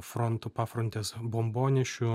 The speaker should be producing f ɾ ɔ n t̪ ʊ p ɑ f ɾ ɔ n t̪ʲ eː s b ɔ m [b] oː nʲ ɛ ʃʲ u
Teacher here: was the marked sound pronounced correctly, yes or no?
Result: yes